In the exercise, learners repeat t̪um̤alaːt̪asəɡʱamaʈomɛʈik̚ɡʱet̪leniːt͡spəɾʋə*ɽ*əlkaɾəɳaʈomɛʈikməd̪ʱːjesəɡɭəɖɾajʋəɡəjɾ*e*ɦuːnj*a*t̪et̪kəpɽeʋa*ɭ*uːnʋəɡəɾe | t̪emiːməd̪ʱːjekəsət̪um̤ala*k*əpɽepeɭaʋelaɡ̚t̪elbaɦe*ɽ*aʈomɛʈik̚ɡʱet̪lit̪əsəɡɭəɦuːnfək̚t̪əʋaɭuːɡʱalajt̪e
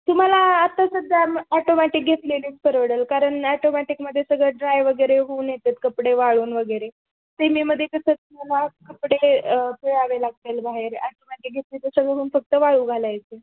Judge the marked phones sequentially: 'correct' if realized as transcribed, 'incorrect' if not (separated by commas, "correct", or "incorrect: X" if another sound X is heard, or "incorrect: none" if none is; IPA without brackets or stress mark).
correct, correct, incorrect: e, correct, correct, incorrect: ɾ